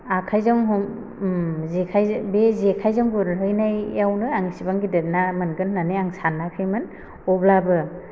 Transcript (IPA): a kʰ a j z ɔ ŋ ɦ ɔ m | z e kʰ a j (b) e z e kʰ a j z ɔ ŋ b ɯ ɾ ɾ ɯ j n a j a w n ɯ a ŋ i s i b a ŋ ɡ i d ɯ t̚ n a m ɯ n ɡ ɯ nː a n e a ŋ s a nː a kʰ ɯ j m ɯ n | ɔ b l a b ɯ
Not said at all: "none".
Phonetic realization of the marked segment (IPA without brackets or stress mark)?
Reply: b